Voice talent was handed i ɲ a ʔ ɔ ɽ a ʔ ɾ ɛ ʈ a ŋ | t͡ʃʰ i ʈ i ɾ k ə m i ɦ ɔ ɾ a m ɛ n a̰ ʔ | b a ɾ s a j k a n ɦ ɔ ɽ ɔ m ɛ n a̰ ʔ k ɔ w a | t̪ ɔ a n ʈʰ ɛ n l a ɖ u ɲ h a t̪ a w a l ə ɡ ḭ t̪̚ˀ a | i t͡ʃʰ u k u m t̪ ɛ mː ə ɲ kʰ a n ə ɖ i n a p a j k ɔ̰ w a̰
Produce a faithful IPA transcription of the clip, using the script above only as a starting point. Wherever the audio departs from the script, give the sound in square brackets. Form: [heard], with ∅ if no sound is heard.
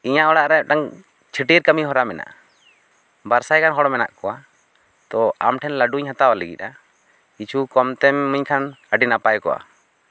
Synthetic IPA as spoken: i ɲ a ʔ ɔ ɽ a ʔ ɾ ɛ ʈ a ŋ | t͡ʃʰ i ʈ i ɾ k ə m i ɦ ɔ ɾ a m ɛ n a̰ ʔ | b a ɾ s a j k a n ɦ ɔ ɽ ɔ m ɛ n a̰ ʔ k ɔ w a | t̪ ɔ a [m] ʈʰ ɛ n l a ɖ u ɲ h a t̪ a w a l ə ɡ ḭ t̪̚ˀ a | i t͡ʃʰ u k [ɔ] m t̪ ɛ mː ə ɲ kʰ a n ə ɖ i n a p a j k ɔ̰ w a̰

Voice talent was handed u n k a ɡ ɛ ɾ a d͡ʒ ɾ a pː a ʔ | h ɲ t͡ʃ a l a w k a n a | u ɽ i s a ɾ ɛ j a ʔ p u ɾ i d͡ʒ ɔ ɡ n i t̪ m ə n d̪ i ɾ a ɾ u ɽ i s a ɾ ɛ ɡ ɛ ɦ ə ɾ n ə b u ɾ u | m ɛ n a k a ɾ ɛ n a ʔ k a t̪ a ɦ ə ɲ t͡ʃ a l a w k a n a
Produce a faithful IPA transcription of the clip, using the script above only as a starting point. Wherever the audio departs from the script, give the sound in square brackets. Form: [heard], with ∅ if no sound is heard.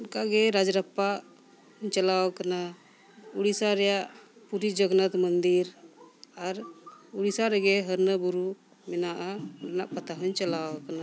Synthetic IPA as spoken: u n k a ɡ ɛ ɾ a d͡ʒ ɾ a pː a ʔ | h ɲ t͡ʃ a l a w k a n a | u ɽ i s a ɾ ɛ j a ʔ p u ɾ i d͡ʒ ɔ ɡ n [a] t̪ m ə n d̪ i ɾ a ɾ u ɽ i s a ɾ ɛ ɡ ɛ ɦ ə ɾ n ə b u ɾ u | m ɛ n a [ʔ] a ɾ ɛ n a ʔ [p] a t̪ a ɦ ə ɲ t͡ʃ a l a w k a n a

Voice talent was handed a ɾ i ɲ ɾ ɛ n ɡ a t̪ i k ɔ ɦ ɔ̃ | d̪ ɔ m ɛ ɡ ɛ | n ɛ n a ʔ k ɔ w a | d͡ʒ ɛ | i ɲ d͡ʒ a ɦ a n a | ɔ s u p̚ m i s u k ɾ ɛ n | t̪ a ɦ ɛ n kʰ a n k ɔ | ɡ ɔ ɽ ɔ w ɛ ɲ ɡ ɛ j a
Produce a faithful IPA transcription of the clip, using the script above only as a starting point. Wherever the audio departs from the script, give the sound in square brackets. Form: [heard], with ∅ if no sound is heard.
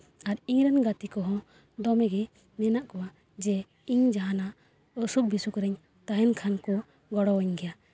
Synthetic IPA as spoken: a ɾ i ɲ ɾ ɛ n ɡ a t̪ i k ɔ ɦ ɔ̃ | d̪ ɔ m ɛ ɡ ɛ | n ɛ n a ʔ k ɔ w a | d͡ʒ ɛ | i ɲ d͡ʒ a ɦ a n a | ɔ s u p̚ [b] i s u k ɾ ɛ [ɲ] | t̪ a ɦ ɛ n kʰ a n k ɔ | ɡ ɔ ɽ ɔ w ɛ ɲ ɡ ɛ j a

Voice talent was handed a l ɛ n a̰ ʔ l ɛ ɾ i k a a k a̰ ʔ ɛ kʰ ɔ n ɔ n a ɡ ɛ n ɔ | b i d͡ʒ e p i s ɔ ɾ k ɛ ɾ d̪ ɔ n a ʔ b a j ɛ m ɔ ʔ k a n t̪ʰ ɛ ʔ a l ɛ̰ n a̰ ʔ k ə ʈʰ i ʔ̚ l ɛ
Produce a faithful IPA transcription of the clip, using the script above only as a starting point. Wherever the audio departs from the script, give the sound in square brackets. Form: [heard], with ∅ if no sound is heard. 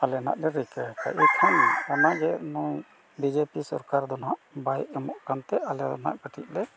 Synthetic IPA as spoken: a l ɛ n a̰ ʔ l ɛ ɾ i k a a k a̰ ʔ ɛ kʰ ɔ n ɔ n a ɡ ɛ n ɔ | b i d͡ʒ e p i s ɔ ɾ k [a] ɾ d̪ ɔ n a ʔ b a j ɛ m ɔ ʔ k a n [t̪] ɛ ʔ a l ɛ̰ n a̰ ʔ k ə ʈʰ i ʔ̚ l ɛ

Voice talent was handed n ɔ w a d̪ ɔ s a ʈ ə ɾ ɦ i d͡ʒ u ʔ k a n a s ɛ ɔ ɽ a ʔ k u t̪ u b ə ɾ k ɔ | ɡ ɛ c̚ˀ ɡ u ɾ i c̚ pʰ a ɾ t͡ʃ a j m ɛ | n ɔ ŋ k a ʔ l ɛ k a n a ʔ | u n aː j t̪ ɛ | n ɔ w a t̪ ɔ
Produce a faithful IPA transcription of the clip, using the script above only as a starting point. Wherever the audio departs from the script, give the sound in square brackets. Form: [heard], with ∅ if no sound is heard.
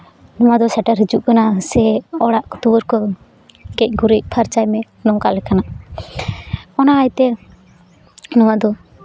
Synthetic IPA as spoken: n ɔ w a d̪ ɔ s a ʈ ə ɾ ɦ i d͡ʒ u ʔ k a n a s ɛ ɔ ɽ a ʔ k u t̪ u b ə ɾ k ɔ | ɡ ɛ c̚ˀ ɡ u ɾ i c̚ pʰ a ɾ t͡ʃ a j m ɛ | n ɔ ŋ k a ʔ l ɛ k a n a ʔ | [ɔ] n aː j t̪ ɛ | n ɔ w a [d̪] ɔ

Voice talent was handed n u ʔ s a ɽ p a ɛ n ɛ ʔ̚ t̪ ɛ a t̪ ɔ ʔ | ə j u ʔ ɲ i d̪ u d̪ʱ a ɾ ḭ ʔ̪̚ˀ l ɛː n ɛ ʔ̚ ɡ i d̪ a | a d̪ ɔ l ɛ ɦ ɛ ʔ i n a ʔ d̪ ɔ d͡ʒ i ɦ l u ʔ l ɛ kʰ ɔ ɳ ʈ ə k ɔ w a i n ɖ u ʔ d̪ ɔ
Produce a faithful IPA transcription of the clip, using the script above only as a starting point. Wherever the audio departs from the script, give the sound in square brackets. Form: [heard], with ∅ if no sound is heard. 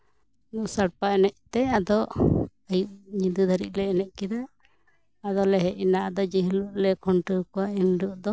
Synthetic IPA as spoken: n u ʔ s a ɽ p a ɛ n ɛ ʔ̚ t̪ ɛ a [d̪] ɔ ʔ | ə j u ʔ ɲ i d̪ u d̪ʱ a ɾ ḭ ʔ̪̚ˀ l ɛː n ɛ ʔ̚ [k] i d̪ a | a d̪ ɔ l ɛ ɦ ɛ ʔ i n a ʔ d̪ ɔ d͡ʒ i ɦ l u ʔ l ɛ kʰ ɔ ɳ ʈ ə k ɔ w a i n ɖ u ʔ d̪ ɔ

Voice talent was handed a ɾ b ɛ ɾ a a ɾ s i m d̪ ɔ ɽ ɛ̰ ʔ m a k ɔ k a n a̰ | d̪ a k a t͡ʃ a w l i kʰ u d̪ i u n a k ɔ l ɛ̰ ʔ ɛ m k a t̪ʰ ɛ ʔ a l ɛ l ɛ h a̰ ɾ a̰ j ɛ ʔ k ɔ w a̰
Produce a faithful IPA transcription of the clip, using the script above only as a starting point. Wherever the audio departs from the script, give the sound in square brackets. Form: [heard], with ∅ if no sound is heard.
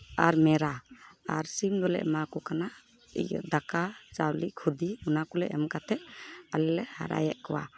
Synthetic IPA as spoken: a ɾ [m] ɛ ɾ a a ɾ s i m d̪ ɔ [l] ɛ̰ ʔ m a k ɔ k a n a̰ | d̪ a k a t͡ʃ a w l i kʰ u d̪ i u n a k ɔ l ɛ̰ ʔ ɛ m k a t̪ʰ ɛ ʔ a l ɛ l ɛ h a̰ ɾ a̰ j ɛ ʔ k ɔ w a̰

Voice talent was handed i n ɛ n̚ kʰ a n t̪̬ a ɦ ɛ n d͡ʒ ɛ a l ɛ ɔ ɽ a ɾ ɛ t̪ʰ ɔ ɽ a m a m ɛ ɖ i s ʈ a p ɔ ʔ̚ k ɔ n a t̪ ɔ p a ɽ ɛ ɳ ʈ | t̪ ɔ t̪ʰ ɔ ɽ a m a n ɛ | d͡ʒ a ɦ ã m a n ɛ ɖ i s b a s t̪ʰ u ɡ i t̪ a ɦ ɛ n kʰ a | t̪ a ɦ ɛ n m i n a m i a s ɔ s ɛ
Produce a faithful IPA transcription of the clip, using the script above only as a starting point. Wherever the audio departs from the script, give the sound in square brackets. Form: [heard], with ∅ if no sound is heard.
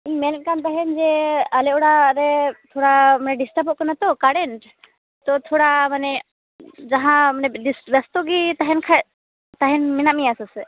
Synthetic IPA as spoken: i [m] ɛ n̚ [k] a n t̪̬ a ɦ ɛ n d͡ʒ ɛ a l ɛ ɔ ɽ a ɾ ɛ t̪ʰ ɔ ɽ a m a [n] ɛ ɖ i s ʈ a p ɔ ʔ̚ k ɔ n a t̪ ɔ [k] a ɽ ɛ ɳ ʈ | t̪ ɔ t̪ʰ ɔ ɽ a m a n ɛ | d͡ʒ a ɦ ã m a n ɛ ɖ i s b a s [t̪] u ɡ i t̪ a ɦ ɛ n kʰ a | t̪ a ɦ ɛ n m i n a m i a s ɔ s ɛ

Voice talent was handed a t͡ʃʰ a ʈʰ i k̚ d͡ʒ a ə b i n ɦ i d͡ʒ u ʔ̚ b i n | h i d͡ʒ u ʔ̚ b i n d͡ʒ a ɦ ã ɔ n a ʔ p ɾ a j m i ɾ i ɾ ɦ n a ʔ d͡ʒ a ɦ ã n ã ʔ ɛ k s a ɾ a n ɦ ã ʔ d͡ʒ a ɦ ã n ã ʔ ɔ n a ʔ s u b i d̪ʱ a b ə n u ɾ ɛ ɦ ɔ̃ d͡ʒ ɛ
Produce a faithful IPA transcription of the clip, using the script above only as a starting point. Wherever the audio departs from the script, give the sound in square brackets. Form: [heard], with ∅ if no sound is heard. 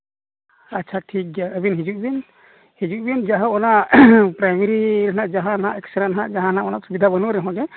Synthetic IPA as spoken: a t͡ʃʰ a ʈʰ i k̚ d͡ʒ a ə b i n ɦ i d͡ʒ u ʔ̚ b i n | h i d͡ʒ u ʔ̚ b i n d͡ʒ a ɦ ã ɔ n a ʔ p ɾ a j m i ɾ i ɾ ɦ n a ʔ d͡ʒ a ɦ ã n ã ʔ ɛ k s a ɾ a n ɦ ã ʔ d͡ʒ a ɦ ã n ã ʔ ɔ n a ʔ s u b i d̪ʱ a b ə n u ɾ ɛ ɦ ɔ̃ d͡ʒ ɛ

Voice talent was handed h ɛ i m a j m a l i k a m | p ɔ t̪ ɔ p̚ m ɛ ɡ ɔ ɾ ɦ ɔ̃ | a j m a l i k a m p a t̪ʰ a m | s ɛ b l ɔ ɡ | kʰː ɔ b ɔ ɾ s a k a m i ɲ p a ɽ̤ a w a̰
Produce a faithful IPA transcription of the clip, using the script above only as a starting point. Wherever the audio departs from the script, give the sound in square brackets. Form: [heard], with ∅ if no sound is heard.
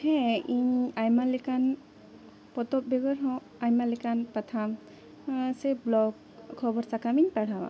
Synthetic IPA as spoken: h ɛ i [ɲ] a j m a l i k a [n] | p ɔ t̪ ɔ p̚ [b] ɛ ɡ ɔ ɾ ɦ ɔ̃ | a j m a l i k a [n] p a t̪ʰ a m | s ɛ b l ɔ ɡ | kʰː ɔ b ɔ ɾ s a k a m i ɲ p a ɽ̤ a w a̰

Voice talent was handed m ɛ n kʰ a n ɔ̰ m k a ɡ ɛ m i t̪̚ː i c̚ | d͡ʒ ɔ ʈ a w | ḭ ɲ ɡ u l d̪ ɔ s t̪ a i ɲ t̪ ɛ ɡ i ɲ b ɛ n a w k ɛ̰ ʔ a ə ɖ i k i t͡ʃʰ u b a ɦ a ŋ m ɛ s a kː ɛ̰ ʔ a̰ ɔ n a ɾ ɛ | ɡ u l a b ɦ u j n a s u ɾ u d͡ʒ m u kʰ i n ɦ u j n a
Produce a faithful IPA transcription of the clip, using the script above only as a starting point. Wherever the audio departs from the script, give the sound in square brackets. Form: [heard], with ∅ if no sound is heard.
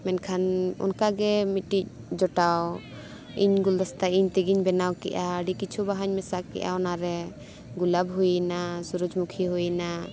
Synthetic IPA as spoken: m ɛ n kʰ a n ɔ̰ [n] k a ɡ ɛ m i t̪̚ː i c̚ | d͡ʒ ɔ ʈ a w | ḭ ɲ ɡ u l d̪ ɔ s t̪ a i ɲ t̪ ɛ ɡ i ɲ b ɛ n a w k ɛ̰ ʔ a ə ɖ i k i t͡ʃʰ u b a ɦ a [ɲ] m ɛ s a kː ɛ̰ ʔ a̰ ɔ n a ɾ ɛ | ɡ u l a b ɦ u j n a s u ɾ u d͡ʒ m u kʰ i [∅] ɦ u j n a

